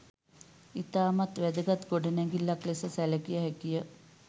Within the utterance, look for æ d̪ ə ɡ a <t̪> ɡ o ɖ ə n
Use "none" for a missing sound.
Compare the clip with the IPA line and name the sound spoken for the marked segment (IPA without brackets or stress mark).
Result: t̪